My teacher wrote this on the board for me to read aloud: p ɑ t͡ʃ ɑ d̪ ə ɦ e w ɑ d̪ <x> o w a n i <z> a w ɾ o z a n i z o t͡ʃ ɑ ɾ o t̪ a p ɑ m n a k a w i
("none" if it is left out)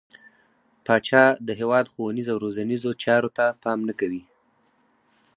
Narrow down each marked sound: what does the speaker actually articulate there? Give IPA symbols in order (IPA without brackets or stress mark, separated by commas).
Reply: x, z